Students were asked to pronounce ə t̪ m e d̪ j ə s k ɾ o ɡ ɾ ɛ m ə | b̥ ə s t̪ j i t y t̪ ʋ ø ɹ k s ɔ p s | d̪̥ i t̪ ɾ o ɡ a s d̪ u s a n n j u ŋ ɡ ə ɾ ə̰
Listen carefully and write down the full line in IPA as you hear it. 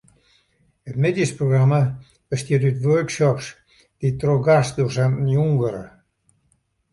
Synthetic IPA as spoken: ə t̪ m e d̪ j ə s p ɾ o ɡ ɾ a m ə | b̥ ə s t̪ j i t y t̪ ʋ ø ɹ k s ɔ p s | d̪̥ i t̪ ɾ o ɡ a s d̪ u s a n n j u ŋ ɡ ə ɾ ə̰

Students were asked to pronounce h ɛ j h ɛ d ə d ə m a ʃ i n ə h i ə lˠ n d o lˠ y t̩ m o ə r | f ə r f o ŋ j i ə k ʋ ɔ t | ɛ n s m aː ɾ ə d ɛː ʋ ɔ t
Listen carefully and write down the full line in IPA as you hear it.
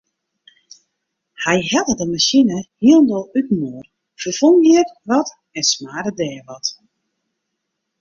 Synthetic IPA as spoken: h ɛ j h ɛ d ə d ə m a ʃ i n ə h i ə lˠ n d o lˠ y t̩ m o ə r | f ə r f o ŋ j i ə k ʋ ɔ t | ɛ n s m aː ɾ ə d ɛː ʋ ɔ t

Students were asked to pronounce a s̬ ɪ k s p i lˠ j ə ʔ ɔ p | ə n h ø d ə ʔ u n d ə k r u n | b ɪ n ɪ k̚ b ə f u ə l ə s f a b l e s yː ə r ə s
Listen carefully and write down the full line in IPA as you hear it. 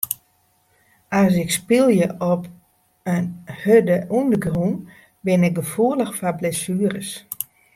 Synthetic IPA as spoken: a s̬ ɪ k s p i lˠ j ə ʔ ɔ p | ə n h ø d ə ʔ u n d ə ɡ r u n | b ɪ n ɪ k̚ ɡ ə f u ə l ə x f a b l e s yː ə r ə s

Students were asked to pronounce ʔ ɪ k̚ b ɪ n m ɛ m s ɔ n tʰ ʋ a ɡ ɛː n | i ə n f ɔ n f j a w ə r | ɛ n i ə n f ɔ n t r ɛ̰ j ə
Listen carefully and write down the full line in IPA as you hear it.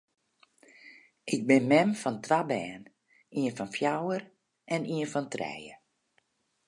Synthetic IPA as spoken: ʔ ɪ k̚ b ɪ n m ɛ m f ɔ n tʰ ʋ a b ɛː n | i ə n f ɔ n f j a w ə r | ɛ n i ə n f ɔ n t r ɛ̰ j ə

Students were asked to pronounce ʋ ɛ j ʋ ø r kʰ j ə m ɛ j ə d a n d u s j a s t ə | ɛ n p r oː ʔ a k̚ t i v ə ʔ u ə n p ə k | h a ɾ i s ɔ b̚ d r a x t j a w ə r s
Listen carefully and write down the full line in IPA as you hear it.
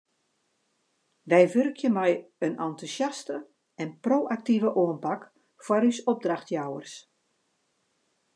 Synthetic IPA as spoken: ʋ ɛ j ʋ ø r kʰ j ə m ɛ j ə n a n t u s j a s t ə | ɛ n p r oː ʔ a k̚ t i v ə ʔ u ə n p a k | f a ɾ y s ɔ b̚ d r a x t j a w ə r s

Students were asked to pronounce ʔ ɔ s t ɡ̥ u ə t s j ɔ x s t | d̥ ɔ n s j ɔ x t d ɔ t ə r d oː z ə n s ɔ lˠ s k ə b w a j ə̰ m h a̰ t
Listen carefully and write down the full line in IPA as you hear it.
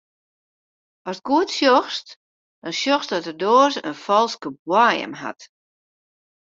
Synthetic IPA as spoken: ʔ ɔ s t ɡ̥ u ə t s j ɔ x s t | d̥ ɔ n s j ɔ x s d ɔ t ə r d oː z ə n f ɔ lˠ s k ə b w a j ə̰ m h a̰ t

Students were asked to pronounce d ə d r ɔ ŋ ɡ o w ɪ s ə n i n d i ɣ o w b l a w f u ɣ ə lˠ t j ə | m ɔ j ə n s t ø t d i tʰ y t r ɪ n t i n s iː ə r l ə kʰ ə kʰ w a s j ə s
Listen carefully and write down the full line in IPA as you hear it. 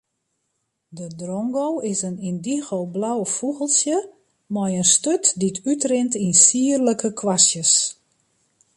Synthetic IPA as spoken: d ə d r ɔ ŋ ɡ o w ɪ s ə n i n d i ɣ o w b l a w f u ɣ ə lˠ s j ə | m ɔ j ə n s t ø t d i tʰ y t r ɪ n t i n s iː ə r l ə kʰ ə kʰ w a s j ə s

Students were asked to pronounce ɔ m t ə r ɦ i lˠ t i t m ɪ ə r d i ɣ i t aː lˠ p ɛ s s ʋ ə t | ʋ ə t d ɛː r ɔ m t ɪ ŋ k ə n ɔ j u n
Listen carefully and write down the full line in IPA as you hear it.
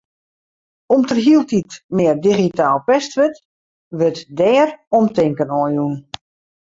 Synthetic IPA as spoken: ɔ m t ə r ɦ i lˠ t i t m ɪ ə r d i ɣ i t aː lˠ p ɛ s t ʋ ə t | ʋ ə t d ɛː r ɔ m t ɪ ŋ k ə n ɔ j u n

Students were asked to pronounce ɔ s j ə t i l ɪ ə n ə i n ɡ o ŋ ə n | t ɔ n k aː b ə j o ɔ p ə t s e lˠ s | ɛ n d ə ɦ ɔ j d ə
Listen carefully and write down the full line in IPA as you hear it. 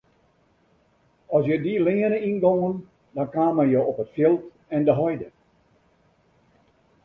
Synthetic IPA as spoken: ɔ s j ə d i l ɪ ə n ə i n ɡ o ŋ ə n | d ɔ n k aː m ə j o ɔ p ə t f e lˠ t | ɛ n d ə ɦ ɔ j d ə

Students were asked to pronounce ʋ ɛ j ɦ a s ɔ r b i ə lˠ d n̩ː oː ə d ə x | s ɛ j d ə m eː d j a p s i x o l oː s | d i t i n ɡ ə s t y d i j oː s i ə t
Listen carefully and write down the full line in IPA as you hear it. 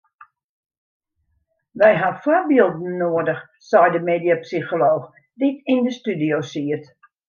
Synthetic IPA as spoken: ʋ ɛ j ɦ a f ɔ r b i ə lˠ d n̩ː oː ə d ə x | s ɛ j d ə m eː d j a p s i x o l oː x | d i t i n d ə s t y d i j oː s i ə t

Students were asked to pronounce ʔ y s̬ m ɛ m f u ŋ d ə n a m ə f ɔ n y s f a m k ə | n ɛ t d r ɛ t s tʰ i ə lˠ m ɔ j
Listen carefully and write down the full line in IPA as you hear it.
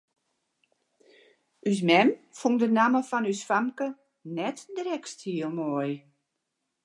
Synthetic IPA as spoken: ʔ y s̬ m ɛ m f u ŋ d ə n a m ə f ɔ n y s f a m k ə | n ɛ t d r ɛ k s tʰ i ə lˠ m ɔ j

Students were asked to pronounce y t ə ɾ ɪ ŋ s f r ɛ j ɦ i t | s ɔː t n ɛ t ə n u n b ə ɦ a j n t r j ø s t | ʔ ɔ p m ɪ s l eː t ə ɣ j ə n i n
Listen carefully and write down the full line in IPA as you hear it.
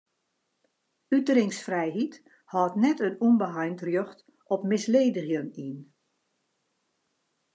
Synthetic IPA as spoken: y t ə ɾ ɪ ŋ s f r ɛ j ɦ i t | h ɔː t n ɛ t ə n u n b ə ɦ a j n t r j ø x t | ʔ ɔ p m ɪ s l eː d ə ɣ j ə n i n

